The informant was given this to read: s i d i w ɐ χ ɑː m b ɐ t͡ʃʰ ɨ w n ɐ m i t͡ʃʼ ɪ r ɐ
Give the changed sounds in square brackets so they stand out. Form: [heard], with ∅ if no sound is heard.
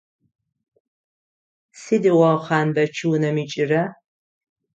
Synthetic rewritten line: s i d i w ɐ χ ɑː [n] b ɐ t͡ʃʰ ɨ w n ɐ m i t͡ʃʼ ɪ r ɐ